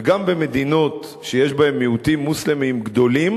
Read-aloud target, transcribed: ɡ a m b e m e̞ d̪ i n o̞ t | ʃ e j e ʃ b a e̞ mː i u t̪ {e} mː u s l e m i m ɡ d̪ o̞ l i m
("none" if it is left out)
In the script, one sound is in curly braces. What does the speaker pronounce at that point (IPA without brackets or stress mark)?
i